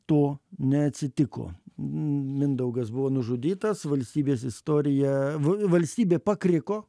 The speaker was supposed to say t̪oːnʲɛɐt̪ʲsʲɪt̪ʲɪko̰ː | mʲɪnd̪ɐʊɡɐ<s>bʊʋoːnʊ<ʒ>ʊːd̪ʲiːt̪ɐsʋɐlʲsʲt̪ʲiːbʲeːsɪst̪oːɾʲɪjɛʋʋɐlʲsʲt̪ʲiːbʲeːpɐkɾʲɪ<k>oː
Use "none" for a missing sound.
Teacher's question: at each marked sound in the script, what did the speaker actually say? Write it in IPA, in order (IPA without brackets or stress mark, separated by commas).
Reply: s, ʒ, k